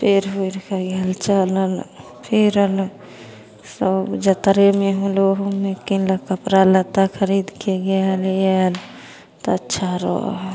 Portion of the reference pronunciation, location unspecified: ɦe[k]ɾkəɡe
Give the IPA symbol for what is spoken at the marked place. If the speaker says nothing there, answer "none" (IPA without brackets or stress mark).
none